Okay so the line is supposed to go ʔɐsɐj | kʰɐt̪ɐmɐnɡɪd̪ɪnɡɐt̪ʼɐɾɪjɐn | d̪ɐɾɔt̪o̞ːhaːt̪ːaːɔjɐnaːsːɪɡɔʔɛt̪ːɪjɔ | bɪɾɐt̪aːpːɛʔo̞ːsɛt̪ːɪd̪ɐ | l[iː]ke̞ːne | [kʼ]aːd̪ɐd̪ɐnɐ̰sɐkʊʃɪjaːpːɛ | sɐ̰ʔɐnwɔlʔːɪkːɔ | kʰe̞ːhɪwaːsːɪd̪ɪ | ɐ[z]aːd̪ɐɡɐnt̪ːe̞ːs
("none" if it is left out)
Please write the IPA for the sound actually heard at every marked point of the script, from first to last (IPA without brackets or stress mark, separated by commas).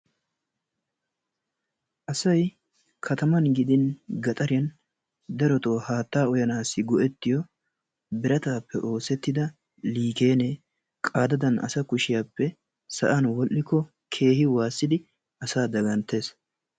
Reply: iː, kʼ, s